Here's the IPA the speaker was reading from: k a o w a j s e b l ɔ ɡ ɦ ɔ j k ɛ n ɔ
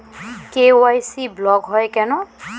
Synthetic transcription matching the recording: k e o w a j s i b l ɔ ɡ ɦ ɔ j k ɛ n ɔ